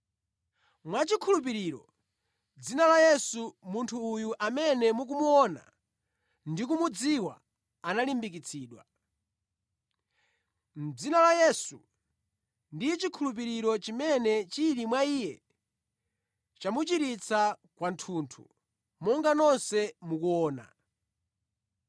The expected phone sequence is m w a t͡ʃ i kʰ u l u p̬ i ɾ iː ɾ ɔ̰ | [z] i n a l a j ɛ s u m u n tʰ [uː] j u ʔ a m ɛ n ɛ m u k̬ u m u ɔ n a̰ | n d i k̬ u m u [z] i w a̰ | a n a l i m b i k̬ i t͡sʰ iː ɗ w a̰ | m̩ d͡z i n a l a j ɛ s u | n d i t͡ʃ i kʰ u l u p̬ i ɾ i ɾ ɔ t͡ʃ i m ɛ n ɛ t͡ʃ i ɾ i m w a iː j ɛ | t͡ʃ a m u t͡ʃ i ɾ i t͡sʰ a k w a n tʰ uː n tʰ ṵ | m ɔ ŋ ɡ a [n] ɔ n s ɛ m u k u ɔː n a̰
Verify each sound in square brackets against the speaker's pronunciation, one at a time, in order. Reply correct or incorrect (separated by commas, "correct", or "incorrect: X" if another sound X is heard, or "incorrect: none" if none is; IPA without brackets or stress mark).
incorrect: d͡z, correct, incorrect: d͡z, correct